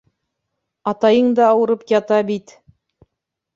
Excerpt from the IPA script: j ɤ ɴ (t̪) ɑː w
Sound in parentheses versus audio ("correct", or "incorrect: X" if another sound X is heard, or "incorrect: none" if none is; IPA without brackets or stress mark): incorrect: d̪